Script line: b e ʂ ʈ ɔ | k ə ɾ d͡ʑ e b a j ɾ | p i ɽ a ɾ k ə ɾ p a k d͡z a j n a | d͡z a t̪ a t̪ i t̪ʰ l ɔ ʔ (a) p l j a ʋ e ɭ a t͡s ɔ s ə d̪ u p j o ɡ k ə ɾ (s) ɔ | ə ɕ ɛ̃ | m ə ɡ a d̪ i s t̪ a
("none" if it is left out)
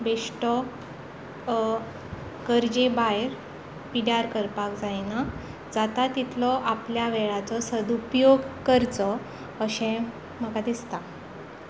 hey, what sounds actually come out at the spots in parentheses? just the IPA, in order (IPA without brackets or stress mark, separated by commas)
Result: a, t͡s